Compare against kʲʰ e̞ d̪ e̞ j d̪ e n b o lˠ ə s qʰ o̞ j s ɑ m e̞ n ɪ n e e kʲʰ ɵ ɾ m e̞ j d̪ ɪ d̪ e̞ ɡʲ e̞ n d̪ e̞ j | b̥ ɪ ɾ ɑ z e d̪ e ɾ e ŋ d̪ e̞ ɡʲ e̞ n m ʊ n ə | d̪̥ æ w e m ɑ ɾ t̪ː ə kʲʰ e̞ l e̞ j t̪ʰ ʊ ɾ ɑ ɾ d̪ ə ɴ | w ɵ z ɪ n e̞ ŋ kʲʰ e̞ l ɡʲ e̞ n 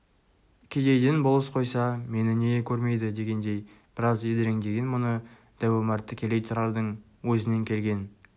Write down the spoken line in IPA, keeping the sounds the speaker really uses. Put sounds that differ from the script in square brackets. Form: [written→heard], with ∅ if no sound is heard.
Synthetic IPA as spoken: kʲʰ e̞ d̪ e̞ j d̪ e n b o lˠ ə s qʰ o̞ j s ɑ m e̞ n ɪ n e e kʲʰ ɵ ɾ m e̞ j d̪ ɪ d̪ e̞ ɡʲ e̞ n d̪ e̞ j | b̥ ɪ ɾ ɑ z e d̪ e ɾ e ŋ d̪ e̞ ɡʲ e̞ n m ʊ n ə | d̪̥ æ w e m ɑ ɾ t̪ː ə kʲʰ e̞ l e̞ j t̪ʰ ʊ ɾ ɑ ɾ d̪ ə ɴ | w ɵ z ɪ n e̞ ŋ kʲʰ e̞ l ɡʲ e̞ n

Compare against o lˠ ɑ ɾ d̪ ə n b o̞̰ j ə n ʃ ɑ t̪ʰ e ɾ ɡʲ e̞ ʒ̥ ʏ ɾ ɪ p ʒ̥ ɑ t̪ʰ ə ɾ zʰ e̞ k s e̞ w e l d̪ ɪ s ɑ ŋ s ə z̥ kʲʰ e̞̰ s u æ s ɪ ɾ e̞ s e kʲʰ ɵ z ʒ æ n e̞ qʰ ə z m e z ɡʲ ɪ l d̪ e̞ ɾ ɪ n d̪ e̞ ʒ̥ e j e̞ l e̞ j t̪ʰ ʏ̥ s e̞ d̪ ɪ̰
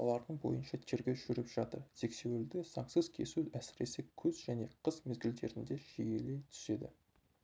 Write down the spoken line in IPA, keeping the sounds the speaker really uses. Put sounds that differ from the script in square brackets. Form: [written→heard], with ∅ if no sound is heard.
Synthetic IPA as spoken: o lˠ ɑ ɾ d̪ ə [n→ɴ] b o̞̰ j ə n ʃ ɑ t̪ʰ e ɾ ɡʲ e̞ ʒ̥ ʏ ɾ ɪ p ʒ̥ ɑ [t̪ʰ→t̪] ə ɾ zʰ e̞ k s e̞ w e l d̪ ɪ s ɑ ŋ s ə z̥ kʲʰ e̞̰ s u æ s ɪ ɾ e̞ s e kʲʰ ɵ z ʒ æ n e̞ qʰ ə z m e z ɡʲ ɪ l d̪ e̞ ɾ ɪ n d̪ e̞ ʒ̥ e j e̞ l e̞ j t̪ʰ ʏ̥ s e̞ d̪ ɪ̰

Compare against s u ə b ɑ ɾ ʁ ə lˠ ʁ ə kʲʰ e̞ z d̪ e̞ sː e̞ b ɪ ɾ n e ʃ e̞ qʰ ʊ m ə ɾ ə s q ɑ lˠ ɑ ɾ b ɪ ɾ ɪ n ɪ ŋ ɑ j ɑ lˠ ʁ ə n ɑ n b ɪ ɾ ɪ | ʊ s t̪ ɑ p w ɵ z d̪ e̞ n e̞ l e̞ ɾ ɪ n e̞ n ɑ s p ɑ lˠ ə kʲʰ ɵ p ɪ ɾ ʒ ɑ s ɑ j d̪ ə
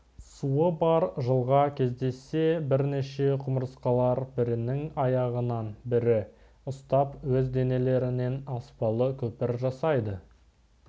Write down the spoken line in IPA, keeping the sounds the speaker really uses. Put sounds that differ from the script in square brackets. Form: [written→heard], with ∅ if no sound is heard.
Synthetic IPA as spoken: s u ə b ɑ ɾ [ʁ→ʒ] ə lˠ ʁ [ə→ɑ] kʲʰ e̞ z d̪ e̞ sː e̞ b ɪ ɾ n e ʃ e̞ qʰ ʊ m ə ɾ ə s q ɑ lˠ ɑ ɾ b ɪ ɾ ɪ n ɪ ŋ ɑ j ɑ [lˠ→∅] ʁ ə n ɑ n b ɪ ɾ ɪ | ʊ s t̪ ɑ p w ɵ z d̪ e̞ n e̞ l e̞ ɾ ɪ n e̞ n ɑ s p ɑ lˠ ə kʲʰ ɵ p ɪ ɾ ʒ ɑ s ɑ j d̪ ə

